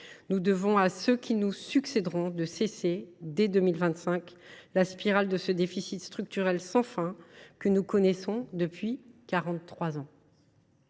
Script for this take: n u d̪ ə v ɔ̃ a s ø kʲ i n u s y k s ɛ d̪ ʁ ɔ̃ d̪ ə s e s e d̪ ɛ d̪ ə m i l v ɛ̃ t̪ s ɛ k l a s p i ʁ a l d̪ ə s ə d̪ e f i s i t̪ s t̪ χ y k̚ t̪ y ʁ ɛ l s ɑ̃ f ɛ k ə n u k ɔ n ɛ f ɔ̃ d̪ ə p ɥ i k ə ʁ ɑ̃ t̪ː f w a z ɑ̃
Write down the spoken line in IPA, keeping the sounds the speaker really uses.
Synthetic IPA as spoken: n u d̪ ə v ɔ̃ a s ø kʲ i n u s y k s ɛ d̪ ʁ ɔ̃ d̪ ə s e s e d̪ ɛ d̪ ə m i l v ɛ̃ t̪ s ɛ̃ k l a s p i ʁ a l d̪ ə s ə d̪ e f i s i t̪ s t̪ χ y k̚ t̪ y ʁ ɛ l s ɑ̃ f ɛ̃ k ə n u k ɔ n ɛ s ɔ̃ d̪ ə p ɥ i k a ʁ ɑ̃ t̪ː χ w a z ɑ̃